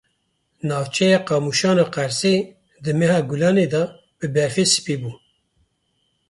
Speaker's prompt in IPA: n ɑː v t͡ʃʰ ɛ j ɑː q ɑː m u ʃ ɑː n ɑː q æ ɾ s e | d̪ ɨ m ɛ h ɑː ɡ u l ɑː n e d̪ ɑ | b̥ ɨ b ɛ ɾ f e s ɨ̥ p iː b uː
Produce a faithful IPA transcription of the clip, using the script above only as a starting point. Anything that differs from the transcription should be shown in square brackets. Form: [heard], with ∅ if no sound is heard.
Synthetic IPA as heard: n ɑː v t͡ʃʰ ɛ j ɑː q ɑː m u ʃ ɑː n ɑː q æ ɾ s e | d̪ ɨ m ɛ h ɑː ɡ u l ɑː n e d̪ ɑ | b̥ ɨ b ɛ ɾ f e s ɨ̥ p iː b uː